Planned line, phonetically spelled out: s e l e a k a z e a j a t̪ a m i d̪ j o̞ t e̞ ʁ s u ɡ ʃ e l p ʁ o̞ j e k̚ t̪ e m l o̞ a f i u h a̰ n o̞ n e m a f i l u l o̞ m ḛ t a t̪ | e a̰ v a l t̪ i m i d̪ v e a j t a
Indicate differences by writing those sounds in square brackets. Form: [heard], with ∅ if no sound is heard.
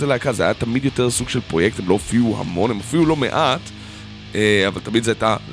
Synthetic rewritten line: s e l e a k a z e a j a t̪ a m i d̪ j o̞ t e̞ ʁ s u ɡ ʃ e l p ʁ o̞ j e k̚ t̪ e m l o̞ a f i u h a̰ [m] o̞ n e m a f i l u l o̞ m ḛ [ʔ] a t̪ | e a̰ v a l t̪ [a] m i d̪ [z] e a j t a